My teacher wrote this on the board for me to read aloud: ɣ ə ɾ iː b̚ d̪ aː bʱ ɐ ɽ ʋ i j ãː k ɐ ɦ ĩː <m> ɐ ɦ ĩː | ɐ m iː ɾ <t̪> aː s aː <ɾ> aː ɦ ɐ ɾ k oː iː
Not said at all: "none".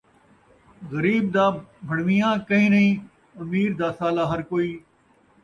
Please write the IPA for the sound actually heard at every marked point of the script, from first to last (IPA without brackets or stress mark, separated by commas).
n, d̪, l